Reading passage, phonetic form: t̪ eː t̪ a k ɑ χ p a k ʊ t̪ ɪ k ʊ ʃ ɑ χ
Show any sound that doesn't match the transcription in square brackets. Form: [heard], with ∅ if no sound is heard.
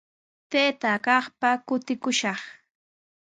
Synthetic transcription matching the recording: t̪ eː t̪ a k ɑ χ p a k ʊ t̪ ɪ k ʊ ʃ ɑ χ